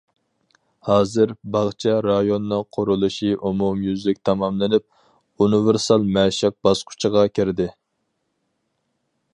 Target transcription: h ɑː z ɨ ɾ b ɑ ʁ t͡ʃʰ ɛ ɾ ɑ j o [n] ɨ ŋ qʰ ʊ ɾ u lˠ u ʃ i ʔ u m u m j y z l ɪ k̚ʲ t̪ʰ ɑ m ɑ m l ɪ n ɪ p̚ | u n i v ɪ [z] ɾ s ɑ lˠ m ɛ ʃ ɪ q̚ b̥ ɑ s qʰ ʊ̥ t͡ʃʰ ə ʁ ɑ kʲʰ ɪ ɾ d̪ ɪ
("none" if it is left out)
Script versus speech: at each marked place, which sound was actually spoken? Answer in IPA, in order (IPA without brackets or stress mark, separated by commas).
nː, none